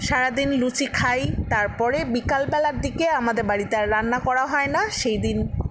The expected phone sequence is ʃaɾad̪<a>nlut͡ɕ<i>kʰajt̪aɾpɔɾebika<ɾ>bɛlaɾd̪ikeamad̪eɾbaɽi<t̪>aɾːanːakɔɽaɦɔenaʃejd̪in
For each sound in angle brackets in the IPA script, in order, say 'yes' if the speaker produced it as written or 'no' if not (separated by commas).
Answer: no, yes, no, yes